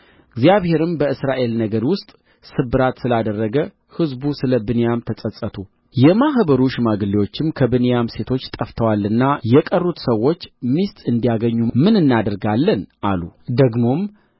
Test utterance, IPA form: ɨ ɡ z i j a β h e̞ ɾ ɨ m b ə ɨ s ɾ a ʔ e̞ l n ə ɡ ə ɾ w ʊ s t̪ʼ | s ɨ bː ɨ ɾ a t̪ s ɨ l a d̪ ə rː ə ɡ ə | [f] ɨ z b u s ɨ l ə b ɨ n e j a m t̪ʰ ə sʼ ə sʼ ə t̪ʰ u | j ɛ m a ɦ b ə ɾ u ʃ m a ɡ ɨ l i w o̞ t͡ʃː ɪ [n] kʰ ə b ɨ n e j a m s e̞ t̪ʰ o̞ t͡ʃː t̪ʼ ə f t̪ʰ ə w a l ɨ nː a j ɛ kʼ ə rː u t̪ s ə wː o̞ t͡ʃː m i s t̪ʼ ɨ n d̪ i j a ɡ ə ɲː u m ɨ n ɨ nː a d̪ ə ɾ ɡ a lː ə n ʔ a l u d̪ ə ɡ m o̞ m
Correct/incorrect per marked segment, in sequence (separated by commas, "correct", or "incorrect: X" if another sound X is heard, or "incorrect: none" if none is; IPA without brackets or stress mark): incorrect: h, incorrect: m